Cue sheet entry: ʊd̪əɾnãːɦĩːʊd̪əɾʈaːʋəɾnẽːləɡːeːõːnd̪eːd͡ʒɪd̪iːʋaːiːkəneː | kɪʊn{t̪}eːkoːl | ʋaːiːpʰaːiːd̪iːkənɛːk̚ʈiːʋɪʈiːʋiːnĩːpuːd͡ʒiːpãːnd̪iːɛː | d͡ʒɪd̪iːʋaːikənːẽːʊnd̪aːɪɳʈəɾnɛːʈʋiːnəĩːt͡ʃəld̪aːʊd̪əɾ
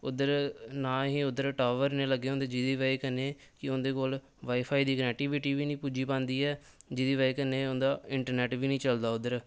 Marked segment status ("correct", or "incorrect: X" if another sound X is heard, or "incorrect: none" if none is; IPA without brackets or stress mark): incorrect: d̪